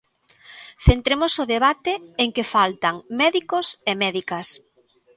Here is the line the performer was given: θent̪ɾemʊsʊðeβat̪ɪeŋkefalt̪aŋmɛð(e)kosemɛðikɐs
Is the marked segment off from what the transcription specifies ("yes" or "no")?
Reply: yes